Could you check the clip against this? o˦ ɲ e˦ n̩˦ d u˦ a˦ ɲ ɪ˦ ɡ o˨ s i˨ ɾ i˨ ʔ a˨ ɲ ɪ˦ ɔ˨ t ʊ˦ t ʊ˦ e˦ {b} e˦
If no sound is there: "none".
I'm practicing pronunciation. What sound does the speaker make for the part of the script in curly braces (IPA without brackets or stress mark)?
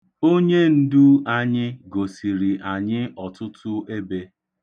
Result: b